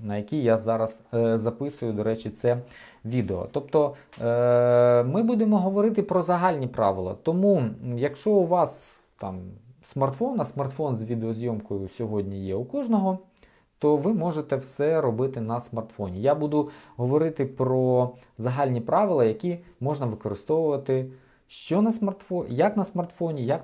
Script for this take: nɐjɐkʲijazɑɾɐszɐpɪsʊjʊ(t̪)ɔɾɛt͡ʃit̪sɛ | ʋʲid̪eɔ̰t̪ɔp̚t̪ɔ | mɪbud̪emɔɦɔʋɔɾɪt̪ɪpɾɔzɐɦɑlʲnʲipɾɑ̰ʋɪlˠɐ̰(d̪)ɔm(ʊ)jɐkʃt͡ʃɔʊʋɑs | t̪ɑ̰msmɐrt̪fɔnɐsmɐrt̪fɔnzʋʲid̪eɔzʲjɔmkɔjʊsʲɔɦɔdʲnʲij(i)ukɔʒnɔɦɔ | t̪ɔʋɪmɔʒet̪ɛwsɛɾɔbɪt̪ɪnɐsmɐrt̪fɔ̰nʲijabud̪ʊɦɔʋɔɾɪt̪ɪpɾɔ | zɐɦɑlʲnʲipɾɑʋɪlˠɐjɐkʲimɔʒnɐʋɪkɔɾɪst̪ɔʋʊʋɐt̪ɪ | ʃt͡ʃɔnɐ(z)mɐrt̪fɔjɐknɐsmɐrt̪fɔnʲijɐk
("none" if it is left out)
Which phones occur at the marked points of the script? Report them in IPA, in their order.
d̪, t̪, u, ɛ, s

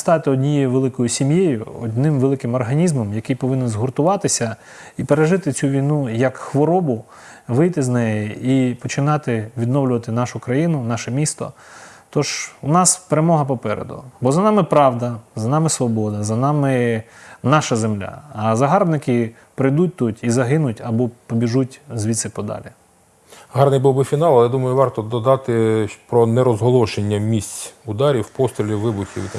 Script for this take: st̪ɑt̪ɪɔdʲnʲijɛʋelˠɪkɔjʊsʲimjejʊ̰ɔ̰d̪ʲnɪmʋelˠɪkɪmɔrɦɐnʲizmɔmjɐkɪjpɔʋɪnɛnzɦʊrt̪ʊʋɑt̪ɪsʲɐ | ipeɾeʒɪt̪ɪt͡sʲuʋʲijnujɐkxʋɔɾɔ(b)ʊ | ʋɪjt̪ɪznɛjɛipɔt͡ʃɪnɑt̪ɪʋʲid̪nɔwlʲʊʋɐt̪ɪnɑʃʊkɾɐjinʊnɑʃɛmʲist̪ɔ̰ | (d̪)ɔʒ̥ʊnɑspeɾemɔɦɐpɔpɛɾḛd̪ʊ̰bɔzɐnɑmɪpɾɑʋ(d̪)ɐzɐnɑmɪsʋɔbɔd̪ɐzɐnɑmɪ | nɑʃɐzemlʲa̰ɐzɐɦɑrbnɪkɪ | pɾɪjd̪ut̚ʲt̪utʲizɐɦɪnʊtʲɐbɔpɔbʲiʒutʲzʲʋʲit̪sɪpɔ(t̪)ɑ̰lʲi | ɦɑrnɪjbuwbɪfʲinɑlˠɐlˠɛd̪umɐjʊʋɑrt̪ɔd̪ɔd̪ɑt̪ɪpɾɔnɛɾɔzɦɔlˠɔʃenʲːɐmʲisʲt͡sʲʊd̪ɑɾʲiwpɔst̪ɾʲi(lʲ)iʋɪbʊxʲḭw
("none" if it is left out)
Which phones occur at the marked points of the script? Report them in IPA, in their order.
b, t̪, d̪, d̪, lʲ

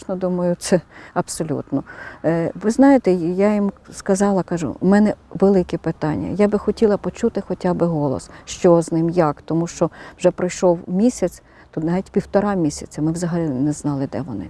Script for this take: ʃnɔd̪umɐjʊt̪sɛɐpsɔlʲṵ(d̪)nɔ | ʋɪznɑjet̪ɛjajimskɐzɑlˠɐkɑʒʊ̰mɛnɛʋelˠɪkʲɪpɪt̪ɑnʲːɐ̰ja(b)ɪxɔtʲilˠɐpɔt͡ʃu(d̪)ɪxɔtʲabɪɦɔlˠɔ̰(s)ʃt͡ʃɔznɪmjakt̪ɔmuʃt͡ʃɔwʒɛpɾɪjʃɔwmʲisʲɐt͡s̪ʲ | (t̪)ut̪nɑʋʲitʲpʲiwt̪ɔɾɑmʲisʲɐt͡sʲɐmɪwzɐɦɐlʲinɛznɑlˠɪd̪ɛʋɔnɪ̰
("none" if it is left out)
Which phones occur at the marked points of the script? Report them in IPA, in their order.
t̪, b, t̪, s, t̪

